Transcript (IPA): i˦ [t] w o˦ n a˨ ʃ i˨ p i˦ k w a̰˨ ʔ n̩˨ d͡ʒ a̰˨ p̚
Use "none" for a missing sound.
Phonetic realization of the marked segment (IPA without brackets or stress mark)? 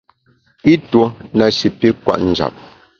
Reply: t